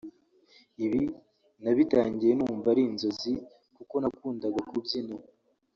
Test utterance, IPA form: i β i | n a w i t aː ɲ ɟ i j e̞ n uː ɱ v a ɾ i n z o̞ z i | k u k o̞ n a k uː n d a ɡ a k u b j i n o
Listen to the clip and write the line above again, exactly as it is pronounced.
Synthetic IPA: i β i | n a β i t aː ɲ ɟ i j e̞ n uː ɱ v a ɾ i n z o̞ z i | k u k o̞ n a k uː n d a ɡ a k u b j i n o